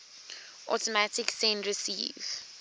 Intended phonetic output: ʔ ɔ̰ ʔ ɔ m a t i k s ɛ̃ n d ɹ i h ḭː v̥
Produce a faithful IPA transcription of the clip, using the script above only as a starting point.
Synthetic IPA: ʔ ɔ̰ t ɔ m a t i k s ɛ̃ n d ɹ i s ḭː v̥